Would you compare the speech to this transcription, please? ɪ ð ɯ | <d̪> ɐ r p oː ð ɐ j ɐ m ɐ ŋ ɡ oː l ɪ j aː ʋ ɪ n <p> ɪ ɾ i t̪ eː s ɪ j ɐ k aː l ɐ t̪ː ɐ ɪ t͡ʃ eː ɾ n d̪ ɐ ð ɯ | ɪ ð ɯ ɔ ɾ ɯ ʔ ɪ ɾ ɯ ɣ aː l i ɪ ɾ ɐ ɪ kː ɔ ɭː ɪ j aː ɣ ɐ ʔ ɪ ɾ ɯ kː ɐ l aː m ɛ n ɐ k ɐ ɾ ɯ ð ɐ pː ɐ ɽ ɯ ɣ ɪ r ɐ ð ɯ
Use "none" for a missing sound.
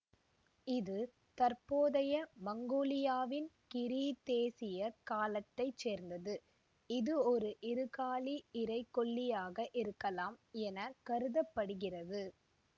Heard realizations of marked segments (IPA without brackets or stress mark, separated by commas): t̪, k